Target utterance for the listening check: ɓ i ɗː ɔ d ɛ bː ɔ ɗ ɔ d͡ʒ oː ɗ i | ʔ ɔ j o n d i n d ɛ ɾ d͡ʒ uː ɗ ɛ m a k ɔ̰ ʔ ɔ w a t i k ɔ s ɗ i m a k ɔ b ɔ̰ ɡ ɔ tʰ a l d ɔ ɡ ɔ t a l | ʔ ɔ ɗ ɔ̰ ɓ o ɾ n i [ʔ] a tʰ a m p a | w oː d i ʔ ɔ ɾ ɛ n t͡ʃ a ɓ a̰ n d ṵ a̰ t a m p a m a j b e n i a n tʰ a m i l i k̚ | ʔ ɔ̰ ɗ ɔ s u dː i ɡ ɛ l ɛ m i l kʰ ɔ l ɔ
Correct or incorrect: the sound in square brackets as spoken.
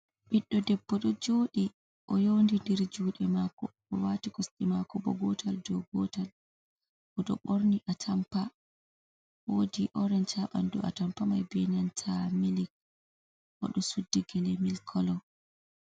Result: correct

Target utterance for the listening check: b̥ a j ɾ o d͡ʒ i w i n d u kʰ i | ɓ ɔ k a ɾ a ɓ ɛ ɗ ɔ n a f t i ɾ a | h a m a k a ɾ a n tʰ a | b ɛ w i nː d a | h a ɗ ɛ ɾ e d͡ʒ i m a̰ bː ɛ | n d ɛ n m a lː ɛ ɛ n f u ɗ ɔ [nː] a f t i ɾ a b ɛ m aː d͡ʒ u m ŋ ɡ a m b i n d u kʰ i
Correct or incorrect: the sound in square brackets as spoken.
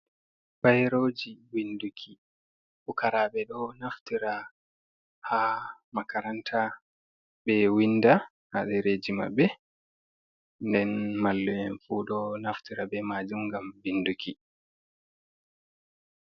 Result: incorrect: n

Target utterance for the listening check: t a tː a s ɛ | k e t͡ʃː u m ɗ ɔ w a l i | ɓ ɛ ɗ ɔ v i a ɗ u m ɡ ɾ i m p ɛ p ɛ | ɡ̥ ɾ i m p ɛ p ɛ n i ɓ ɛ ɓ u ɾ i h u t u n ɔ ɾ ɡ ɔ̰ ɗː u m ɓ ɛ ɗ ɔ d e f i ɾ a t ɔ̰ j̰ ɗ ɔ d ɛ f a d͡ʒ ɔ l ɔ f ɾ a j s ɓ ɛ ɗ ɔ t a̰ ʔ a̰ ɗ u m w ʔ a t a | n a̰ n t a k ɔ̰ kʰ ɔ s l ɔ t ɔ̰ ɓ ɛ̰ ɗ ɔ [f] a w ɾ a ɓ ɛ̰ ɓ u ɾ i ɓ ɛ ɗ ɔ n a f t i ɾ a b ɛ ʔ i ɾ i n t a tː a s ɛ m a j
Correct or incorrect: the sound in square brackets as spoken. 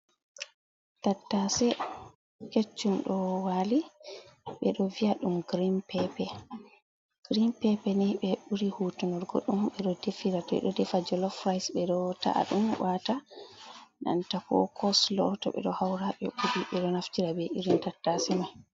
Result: incorrect: h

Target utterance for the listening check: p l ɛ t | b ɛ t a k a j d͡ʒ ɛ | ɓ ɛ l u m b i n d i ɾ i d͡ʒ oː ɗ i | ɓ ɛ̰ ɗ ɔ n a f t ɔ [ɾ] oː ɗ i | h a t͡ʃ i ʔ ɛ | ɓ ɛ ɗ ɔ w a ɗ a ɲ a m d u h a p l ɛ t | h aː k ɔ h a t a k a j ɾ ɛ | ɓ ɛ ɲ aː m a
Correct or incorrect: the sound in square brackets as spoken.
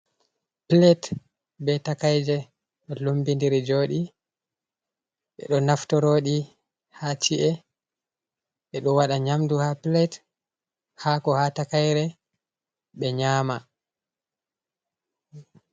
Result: correct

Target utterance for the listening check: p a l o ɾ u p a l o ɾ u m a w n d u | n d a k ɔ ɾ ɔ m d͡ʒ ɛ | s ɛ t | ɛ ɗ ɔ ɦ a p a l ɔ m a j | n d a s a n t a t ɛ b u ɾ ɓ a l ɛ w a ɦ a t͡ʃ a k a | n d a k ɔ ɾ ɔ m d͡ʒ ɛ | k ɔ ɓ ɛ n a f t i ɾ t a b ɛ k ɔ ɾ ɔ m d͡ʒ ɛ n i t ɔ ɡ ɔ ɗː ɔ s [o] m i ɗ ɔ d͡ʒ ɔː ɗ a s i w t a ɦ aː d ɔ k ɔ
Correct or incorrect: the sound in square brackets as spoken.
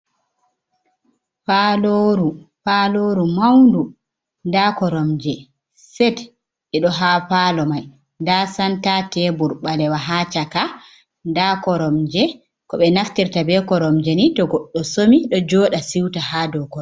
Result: correct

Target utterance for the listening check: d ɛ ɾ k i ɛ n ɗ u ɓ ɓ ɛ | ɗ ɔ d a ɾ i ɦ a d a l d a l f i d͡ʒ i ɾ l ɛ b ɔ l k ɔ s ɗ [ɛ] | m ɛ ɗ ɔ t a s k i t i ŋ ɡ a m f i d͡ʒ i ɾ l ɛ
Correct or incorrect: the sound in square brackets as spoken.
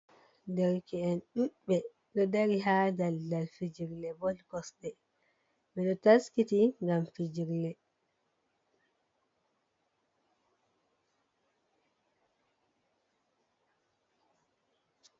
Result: correct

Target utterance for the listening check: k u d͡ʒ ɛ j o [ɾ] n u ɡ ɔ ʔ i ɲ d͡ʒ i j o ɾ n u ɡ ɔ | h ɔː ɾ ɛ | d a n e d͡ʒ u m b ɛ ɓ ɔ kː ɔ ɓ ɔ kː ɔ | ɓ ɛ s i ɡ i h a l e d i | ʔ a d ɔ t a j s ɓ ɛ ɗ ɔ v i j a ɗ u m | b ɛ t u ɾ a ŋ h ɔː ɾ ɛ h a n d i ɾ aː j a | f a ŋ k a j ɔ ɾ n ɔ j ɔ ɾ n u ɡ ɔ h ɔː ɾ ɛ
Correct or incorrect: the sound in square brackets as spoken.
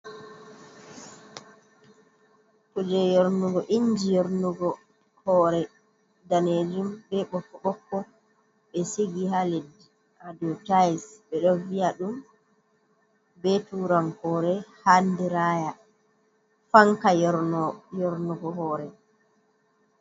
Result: correct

